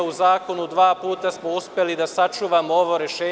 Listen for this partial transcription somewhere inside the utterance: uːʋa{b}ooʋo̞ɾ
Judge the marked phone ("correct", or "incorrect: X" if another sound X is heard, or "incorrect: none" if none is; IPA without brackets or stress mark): incorrect: m